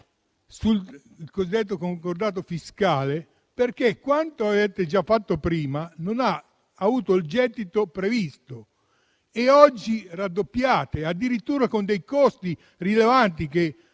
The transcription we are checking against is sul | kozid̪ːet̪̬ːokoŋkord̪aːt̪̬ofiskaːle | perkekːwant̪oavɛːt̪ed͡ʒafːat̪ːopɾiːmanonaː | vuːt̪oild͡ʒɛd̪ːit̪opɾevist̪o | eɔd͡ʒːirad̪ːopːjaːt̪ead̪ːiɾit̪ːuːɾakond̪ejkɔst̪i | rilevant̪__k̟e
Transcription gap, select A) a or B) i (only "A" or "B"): B